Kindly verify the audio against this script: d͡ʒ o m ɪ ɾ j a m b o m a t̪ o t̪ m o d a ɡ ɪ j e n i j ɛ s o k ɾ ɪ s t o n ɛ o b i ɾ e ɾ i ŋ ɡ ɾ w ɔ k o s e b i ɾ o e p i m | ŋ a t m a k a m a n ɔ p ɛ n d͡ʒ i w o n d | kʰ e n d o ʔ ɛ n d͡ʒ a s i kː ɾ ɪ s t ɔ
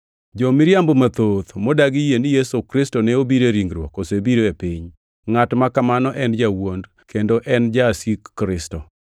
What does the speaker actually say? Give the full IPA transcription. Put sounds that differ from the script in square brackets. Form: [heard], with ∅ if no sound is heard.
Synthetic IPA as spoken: d͡ʒ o m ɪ ɾ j a m b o m a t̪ o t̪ m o d a ɡ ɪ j e n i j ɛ s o k ɾ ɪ s t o n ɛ o b i ɾ e ɾ i ŋ ɡ ɾ w ɔ k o s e b i ɾ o e p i [ɲ] | ŋ a t m a k a m a n ɔ [ʔ] ɛ n d͡ʒ [a] w o n d | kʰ e n d o ʔ ɛ n d͡ʒ a s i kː ɾ ɪ s t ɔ